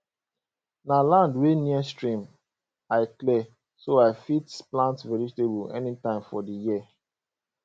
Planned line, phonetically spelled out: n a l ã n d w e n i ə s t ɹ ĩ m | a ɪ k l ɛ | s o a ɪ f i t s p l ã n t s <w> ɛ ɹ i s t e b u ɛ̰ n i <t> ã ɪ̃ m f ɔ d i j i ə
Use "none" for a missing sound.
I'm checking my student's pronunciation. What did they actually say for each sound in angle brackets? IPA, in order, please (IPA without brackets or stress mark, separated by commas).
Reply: v, t